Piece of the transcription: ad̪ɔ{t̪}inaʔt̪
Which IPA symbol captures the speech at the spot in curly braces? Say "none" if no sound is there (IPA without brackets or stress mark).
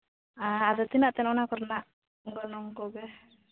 t̪